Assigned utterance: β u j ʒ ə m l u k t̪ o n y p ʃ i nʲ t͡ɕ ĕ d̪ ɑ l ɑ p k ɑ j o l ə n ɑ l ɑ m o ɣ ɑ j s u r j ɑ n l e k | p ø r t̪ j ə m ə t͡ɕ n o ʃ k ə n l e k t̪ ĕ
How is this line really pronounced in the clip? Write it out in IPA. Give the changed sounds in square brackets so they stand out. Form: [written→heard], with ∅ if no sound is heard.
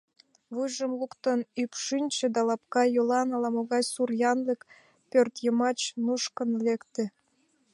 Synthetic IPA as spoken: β u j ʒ ə m l u k t̪ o n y p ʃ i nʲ t͡ɕ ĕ d̪ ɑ l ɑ p k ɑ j o l [ə→ɑ] n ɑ l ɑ m o ɣ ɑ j s u r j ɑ n l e k | p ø r t̪ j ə m [ə→ɑ] t͡ɕ n [o→u] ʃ k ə n l e k t̪ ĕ

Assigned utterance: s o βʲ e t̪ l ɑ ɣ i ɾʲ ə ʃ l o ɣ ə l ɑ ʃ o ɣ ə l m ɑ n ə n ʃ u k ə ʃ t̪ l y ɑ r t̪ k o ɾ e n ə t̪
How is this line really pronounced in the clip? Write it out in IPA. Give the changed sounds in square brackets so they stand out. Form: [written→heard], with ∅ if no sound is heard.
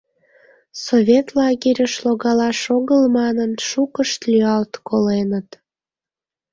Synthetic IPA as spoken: s o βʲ e t̪ l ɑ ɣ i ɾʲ ə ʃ l o ɣ [ə→ɑ] l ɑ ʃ o ɣ ə l m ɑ n ə n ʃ u k ə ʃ t̪ l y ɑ [r→l] t̪ k o [ɾ→l] e n ə t̪

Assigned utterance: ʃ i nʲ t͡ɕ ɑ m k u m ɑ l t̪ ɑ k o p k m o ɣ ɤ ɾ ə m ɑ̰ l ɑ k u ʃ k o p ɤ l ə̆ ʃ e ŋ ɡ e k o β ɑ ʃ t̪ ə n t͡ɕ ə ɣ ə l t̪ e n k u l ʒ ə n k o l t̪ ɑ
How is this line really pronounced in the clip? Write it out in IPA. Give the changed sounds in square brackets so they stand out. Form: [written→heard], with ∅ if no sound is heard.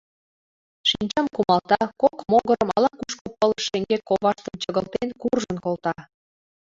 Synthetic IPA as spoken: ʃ i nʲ t͡ɕ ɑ m k u m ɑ l t̪ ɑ k o [p→∅] k m o ɣ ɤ ɾ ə m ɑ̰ l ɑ k u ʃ k o p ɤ l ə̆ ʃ e ŋ ɡ e k o β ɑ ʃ t̪ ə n t͡ɕ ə ɣ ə l t̪ e n k u [l→r] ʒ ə n k o l t̪ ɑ

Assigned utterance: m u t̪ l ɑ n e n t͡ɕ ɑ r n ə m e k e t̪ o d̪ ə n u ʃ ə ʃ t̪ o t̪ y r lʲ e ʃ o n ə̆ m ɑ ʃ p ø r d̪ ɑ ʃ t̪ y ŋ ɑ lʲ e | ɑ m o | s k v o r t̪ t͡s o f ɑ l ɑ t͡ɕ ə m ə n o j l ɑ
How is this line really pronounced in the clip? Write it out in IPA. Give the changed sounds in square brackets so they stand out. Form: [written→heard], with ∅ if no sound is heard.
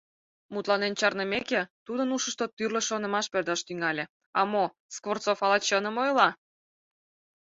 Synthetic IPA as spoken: m u t̪ l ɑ n e n t͡ɕ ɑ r n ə m e k e t̪ [o→u] d̪ ə n u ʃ ə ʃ t̪ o t̪ y r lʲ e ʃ o n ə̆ m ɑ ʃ p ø r d̪ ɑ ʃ t̪ y ŋ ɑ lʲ e | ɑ m o | s k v o r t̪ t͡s o f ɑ l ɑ t͡ɕ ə [m→n] ə [n→m] o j l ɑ

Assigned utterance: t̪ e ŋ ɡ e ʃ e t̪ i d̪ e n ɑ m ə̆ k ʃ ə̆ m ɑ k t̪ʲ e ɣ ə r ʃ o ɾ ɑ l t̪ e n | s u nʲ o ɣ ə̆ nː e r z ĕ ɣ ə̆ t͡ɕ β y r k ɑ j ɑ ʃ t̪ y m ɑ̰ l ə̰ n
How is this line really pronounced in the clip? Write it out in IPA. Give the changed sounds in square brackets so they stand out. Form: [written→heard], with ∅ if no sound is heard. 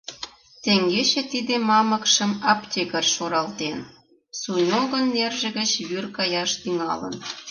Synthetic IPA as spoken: t̪ e ŋ ɡ e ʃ e t̪ i d̪ e [n→m] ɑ m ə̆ k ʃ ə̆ m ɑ [k→p] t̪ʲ e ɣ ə r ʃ o ɾ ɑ l t̪ e n | s u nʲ o ɣ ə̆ nː e r [z→ʒ] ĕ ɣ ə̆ t͡ɕ β y r k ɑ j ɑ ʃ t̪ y [m→ŋ] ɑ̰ l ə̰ n

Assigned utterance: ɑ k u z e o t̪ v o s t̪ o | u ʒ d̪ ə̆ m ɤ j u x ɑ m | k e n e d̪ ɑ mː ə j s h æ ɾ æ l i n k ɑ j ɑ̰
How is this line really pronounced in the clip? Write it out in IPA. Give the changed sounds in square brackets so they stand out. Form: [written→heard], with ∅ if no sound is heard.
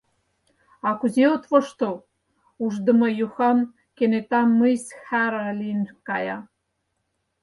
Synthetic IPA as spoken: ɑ k u z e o t̪ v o [s→ʃ] t̪ o | u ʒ d̪ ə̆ m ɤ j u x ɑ m | k e n e [d̪→t̪] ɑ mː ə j s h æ ɾ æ l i n k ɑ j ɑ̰

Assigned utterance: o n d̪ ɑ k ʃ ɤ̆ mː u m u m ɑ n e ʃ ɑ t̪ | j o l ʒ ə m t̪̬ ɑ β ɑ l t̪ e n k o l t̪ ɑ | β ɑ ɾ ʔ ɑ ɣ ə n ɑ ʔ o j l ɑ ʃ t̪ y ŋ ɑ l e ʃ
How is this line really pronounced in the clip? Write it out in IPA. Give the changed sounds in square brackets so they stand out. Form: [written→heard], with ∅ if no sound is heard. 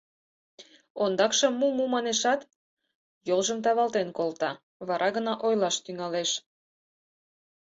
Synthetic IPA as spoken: o n d̪ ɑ k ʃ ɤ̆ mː u m u m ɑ n e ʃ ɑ t̪ | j o l ʒ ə m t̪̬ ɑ β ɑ l t̪ e n k o l t̪ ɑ | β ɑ ɾ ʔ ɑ ɣ ə n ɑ ʔ o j l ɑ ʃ t̪ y ŋ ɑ l e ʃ

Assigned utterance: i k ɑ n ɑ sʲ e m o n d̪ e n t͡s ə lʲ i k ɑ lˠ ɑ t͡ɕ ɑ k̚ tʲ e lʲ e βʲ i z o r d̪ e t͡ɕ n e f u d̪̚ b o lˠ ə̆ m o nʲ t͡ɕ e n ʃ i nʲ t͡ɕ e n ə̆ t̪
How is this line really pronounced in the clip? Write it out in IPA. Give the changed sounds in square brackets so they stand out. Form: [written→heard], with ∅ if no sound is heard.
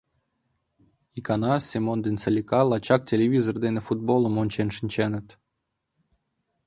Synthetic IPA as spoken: i k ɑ n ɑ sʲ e m o n d̪ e n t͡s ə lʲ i k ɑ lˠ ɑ t͡ɕ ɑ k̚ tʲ e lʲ e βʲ i z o r d̪ e [t͡ɕ→∅] n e f u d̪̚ b o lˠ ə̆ m o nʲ t͡ɕ e n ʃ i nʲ t͡ɕ e n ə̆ t̪

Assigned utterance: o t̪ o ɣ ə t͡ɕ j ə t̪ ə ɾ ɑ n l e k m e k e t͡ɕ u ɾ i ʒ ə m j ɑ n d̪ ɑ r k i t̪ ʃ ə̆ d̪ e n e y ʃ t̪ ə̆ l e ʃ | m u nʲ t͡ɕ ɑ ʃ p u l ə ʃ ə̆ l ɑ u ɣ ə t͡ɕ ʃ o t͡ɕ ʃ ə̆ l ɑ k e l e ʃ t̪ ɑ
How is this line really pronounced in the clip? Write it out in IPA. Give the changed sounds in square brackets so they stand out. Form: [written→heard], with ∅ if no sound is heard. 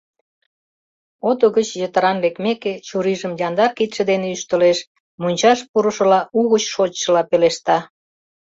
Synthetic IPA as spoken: o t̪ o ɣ ə t͡ɕ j ə t̪ ə ɾ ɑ n l e k m e k e t͡ɕ u ɾ i ʒ ə m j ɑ n d̪ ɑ r k i t̪ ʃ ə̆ d̪ e n e y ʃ t̪ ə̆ l e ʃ | m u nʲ t͡ɕ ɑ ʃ p u [l→ɾ] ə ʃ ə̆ l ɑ u ɣ ə t͡ɕ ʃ o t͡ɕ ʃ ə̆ l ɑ [k→p] e l e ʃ t̪ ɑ

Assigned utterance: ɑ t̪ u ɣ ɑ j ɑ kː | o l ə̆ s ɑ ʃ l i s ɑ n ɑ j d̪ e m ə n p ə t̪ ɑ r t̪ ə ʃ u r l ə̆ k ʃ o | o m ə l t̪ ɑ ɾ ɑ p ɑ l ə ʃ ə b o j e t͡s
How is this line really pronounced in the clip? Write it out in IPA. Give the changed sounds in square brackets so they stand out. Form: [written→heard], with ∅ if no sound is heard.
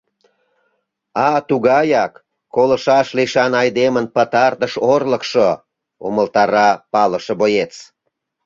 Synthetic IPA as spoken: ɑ t̪ u ɣ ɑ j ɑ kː | o l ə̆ [s→ʃ] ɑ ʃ l i [s→ʃ] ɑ n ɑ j d̪ e m ə n p ə t̪ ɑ r t̪ ə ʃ [u→o] r l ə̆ k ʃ o | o m ə l t̪ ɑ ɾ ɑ p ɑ l ə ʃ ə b o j e t͡s

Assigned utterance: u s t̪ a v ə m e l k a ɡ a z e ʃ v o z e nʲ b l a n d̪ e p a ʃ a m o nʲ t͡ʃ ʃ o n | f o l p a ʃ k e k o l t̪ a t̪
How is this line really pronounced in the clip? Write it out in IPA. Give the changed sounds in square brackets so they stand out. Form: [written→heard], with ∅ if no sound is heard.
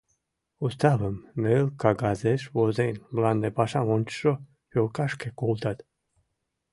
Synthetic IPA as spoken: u s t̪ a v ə m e l k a ɡ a z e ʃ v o z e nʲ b l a n d̪ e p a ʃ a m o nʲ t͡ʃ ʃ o [n→∅] | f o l [p→k] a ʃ k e k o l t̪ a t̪

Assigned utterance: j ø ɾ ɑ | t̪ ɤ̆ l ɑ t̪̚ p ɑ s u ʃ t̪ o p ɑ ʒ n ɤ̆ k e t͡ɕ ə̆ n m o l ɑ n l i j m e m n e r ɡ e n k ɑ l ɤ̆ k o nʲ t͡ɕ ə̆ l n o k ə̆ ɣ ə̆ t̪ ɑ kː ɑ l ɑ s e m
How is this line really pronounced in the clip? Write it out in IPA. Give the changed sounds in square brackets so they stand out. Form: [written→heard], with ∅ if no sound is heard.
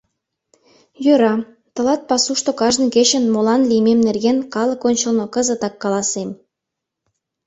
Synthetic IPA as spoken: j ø ɾ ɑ | t̪ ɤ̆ l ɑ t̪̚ p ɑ s u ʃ t̪ o [p→k] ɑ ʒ n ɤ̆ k e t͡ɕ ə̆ n m o l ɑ n l i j m e m n e r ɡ e n k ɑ l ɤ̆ k o nʲ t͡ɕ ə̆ l n o k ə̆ [ɣ→z] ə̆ t̪ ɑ kː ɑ l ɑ s e m

